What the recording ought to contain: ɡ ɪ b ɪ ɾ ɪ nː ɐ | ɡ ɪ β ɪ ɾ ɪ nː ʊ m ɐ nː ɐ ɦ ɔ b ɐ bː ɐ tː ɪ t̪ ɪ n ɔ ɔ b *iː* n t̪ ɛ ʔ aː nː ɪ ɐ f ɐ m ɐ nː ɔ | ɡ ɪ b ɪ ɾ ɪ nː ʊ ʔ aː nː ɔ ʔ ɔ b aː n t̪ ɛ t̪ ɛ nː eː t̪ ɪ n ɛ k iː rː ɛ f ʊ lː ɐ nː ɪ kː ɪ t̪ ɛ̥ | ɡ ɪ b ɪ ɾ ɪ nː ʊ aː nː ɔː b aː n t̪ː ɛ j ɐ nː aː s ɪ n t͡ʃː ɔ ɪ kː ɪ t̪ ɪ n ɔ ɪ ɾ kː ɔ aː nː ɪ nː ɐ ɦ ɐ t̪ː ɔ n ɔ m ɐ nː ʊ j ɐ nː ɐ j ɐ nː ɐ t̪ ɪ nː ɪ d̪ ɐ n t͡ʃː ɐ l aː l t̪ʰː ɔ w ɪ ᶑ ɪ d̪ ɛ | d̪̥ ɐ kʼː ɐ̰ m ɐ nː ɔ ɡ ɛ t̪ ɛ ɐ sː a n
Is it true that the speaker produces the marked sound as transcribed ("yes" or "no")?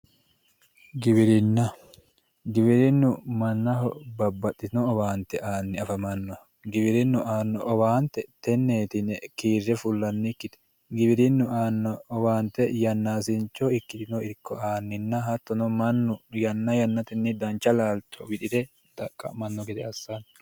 no